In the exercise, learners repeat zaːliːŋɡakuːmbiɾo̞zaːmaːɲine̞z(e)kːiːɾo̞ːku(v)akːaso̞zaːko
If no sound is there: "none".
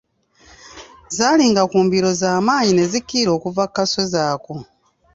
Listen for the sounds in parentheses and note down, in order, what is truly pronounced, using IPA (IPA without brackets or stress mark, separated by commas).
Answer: i, v